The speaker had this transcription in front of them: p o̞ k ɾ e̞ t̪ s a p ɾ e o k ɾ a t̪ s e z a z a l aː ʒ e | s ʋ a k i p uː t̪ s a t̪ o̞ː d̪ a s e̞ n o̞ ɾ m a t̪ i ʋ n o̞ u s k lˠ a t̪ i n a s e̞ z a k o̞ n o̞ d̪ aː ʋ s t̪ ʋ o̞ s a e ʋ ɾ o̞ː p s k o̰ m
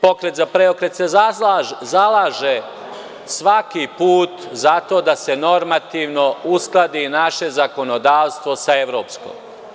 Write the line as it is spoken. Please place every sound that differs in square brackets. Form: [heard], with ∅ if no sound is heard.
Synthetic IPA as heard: p o̞ k ɾ e̞ t̪ [z] a p ɾ e o k ɾ [e] t̪ s e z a z a l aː ʒ e | s ʋ a k i p uː t̪ [z] a t̪ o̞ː d̪ a s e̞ n o̞ ɾ m a t̪ i ʋ n o̞ u s k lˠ a [d̪] i n a [ʃ] e̞ z a k o̞ n o̞ d̪ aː ʋ s t̪ ʋ o̞ s a e ʋ ɾ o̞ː p s k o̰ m